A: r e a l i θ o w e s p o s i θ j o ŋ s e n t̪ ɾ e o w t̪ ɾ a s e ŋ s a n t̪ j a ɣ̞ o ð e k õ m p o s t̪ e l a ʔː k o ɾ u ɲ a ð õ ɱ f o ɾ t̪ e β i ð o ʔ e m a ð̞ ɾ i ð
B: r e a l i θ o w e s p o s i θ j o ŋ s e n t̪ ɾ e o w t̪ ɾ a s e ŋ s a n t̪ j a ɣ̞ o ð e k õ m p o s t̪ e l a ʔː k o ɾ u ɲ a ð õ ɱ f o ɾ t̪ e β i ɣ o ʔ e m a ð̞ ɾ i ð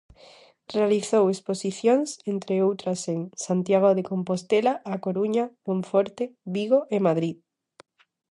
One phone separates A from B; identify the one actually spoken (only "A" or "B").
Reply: B